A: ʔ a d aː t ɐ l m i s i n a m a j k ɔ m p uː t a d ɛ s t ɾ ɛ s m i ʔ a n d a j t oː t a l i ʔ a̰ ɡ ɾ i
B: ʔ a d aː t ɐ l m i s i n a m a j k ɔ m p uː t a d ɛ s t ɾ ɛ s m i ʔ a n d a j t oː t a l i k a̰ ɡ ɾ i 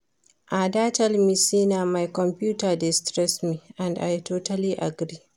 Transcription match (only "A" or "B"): A